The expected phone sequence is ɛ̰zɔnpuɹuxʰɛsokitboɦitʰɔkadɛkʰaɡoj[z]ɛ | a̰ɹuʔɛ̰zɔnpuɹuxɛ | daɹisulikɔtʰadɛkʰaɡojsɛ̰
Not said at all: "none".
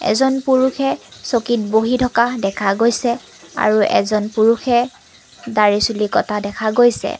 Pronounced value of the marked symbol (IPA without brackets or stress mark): s